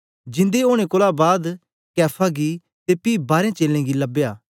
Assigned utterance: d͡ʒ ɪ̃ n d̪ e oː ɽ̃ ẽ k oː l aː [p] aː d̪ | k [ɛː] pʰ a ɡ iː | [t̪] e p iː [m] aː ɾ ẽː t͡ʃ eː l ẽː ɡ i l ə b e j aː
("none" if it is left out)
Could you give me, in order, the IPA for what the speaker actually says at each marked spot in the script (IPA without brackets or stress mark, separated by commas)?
b, ɛː, t̪, b